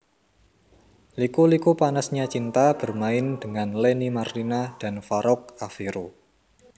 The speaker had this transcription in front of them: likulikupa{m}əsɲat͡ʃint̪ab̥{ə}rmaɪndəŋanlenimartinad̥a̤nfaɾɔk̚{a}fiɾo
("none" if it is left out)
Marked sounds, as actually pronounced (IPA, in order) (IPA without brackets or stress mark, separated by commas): n, ə, a